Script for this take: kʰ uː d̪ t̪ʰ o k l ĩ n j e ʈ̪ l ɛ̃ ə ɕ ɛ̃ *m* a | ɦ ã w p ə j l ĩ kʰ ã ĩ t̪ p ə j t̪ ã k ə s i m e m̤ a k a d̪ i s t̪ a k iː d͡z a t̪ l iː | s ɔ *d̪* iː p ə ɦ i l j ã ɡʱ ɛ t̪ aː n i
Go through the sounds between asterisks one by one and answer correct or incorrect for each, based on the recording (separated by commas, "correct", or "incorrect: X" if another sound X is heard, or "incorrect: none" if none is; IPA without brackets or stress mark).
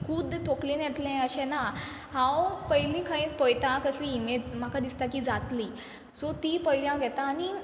incorrect: n, incorrect: t̪